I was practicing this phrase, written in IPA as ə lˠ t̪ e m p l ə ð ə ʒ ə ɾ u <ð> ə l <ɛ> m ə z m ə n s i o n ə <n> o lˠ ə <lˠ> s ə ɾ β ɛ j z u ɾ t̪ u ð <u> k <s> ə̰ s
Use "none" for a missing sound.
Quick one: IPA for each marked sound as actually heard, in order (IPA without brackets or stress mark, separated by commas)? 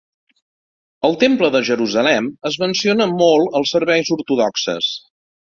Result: z, ɛ, m, lˠ, ɔ, s